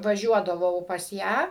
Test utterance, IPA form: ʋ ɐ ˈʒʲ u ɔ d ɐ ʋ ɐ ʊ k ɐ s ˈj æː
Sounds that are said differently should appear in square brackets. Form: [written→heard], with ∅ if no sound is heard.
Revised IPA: ʋ ɐ ˈʒʲ u ɔ d ɐ ʋ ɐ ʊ [k→p] ɐ s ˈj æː